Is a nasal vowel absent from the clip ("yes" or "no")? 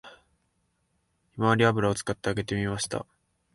yes